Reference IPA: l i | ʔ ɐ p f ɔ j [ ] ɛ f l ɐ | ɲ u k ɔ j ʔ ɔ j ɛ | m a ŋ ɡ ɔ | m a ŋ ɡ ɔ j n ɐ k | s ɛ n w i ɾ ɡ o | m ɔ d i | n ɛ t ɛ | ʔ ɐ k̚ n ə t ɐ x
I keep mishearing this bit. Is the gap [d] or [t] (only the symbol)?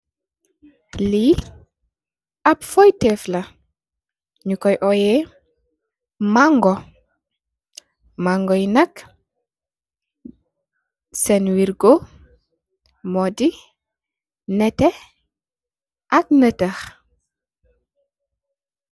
t